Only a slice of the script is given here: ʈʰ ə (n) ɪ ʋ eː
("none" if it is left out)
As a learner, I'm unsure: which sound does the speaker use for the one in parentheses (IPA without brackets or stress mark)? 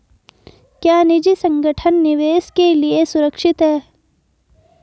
nː